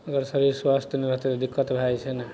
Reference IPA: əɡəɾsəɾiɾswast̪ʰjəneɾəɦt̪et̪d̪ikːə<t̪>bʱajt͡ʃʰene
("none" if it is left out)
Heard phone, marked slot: t̪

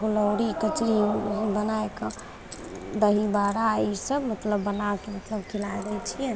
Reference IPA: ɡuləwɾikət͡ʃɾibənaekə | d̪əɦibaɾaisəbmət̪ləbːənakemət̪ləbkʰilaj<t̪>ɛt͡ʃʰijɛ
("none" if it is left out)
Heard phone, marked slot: d̪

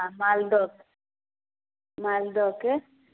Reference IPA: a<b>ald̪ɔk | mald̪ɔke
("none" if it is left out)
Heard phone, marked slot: m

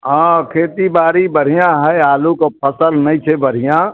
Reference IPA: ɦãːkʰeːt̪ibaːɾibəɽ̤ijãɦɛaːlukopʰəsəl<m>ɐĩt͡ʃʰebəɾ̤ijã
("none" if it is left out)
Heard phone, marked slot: n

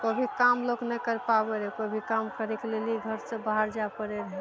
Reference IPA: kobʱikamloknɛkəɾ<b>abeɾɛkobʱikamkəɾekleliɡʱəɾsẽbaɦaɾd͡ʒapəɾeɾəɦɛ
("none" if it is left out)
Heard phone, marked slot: p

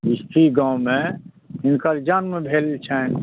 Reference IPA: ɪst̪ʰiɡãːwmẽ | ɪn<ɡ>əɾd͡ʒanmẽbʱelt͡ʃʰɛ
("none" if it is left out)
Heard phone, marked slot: k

